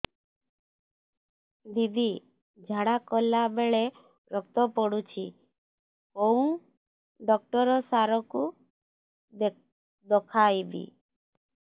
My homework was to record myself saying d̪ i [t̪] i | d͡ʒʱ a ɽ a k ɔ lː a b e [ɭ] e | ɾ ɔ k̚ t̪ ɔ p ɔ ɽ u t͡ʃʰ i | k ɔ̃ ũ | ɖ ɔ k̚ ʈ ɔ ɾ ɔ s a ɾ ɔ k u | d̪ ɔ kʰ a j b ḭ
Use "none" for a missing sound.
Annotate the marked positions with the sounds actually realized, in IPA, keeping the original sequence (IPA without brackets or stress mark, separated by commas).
d̪, ɭ